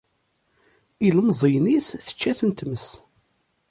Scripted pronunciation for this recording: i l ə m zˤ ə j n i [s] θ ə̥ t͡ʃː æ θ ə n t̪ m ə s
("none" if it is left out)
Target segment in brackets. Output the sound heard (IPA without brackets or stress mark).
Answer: s